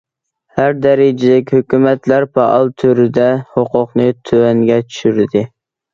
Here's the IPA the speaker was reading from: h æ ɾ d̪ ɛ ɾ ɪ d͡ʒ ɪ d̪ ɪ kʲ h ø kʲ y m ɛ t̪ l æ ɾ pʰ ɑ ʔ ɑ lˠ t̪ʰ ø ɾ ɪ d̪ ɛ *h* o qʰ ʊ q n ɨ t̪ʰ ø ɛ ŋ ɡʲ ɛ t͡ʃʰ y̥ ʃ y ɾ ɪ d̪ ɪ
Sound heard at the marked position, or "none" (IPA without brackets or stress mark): h